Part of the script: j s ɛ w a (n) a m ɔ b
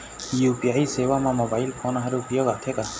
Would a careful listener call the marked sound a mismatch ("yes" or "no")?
yes